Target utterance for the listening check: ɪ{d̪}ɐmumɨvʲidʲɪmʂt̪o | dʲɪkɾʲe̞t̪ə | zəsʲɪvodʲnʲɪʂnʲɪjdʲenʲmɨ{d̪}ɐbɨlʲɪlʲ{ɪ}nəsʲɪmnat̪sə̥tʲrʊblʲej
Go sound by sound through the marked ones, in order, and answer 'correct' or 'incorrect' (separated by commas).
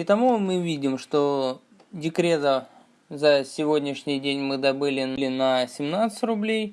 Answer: incorrect, correct, correct